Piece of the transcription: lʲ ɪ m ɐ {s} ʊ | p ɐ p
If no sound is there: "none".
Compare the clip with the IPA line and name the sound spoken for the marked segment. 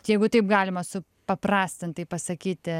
s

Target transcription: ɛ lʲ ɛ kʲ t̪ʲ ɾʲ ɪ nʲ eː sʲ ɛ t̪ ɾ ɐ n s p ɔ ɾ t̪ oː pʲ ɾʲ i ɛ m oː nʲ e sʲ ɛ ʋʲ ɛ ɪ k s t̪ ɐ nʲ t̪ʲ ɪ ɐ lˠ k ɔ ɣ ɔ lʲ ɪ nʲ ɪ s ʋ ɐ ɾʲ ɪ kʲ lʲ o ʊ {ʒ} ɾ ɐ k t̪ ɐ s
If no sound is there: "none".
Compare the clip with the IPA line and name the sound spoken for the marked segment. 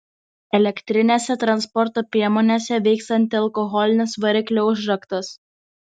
ʒ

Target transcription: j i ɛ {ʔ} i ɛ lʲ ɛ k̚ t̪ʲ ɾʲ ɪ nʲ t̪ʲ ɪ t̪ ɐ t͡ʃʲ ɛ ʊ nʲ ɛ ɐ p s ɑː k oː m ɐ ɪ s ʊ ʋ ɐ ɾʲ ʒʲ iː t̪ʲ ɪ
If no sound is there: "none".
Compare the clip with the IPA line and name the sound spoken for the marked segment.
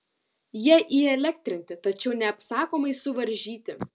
ʔ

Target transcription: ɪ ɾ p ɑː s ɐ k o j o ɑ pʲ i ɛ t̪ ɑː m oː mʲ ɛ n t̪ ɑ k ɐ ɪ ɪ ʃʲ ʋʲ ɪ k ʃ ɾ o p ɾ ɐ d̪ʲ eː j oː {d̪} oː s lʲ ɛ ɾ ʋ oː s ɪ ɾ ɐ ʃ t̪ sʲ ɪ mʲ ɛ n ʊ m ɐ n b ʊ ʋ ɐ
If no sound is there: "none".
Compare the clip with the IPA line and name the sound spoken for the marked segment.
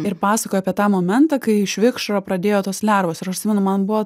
t̪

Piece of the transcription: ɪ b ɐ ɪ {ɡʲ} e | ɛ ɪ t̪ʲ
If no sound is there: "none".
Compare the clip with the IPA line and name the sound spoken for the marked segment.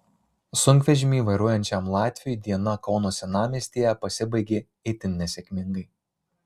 ɡʲ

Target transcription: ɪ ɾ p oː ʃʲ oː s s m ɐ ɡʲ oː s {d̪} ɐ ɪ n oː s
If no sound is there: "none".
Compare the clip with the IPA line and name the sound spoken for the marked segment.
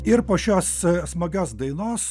d̪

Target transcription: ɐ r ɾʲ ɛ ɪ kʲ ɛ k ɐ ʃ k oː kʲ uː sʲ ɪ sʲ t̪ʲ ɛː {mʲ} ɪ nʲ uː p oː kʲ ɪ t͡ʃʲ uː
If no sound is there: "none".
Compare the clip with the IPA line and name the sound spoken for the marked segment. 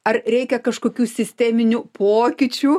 mʲ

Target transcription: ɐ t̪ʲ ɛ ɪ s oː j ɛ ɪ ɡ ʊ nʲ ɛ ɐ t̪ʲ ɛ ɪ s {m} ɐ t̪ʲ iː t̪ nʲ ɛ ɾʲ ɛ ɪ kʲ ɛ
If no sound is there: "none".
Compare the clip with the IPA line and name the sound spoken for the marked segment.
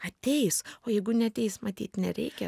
m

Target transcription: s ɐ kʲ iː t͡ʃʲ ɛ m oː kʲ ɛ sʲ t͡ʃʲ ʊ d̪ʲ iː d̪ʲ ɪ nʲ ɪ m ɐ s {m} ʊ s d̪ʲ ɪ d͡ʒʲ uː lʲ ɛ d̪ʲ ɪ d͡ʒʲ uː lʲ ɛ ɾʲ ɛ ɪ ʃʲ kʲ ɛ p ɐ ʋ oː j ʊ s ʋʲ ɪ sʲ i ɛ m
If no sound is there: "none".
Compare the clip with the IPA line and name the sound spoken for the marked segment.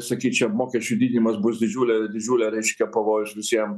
b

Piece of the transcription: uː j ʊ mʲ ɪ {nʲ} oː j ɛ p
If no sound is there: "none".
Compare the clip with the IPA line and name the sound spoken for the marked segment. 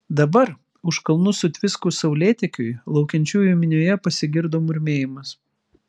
nʲ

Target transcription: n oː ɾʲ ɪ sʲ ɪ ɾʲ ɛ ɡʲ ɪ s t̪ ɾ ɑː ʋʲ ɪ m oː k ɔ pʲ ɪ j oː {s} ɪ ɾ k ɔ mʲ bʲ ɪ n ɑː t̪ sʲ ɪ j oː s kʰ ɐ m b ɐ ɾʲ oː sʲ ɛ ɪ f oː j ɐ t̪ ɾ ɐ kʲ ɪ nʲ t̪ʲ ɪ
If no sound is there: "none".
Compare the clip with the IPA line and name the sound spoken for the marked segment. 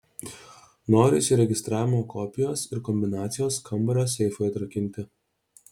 s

